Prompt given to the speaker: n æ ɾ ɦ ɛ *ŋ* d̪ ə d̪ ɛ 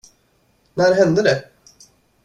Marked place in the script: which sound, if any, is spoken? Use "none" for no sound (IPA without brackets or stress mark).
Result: n